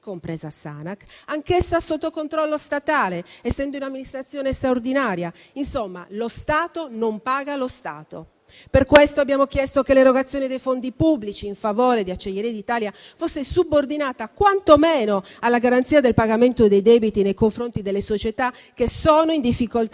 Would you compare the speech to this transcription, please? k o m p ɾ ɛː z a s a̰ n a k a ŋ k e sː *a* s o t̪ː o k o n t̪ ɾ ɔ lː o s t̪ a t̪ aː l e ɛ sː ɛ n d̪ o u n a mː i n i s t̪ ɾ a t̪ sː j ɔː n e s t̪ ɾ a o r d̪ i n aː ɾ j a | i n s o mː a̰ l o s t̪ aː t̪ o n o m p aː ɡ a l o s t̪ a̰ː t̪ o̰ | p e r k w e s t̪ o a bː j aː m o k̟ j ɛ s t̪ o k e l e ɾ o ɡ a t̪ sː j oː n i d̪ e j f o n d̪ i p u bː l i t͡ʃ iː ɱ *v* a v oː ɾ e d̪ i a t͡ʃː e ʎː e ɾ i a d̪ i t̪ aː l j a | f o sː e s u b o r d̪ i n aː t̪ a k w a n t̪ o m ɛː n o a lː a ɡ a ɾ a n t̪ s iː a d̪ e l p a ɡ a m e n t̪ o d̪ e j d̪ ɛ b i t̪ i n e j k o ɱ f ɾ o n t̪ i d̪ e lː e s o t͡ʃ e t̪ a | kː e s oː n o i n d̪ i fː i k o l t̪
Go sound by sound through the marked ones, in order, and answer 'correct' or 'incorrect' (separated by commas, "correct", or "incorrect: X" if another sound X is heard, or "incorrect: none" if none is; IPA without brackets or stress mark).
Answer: correct, incorrect: f